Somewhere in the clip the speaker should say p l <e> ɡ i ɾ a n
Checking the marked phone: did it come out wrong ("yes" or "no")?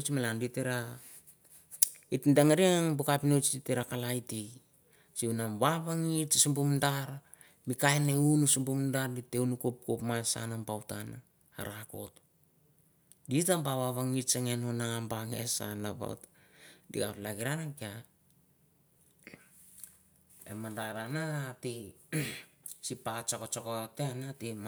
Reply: yes